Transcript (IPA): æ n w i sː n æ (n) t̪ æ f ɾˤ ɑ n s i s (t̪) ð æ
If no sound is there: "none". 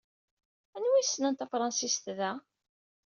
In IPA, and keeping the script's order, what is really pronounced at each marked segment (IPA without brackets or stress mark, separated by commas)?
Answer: n, t̪